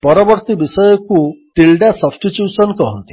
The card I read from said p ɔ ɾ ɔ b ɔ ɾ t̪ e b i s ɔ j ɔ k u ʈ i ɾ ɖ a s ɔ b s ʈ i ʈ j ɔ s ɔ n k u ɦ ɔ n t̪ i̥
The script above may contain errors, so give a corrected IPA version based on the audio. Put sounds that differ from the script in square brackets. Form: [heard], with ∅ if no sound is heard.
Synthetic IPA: p ɔ ɾ ɔ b ɔ ɾ t̪ [i] b i s ɔ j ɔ k u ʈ i [l] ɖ a s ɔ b s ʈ i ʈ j [u] s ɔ n k [ɔ] ɦ ɔ n t̪ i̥